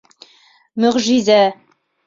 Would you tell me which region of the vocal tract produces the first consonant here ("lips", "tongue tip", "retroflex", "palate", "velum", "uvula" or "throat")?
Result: lips